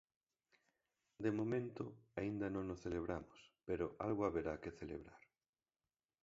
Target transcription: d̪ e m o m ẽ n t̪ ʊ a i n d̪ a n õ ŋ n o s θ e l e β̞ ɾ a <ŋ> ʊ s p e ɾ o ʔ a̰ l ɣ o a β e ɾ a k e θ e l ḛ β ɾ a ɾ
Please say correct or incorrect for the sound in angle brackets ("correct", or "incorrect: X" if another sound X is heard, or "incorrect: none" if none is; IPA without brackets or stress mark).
incorrect: m